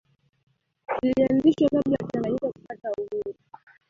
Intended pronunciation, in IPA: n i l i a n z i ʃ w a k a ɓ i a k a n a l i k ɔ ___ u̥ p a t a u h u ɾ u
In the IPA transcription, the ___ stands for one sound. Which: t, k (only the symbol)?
k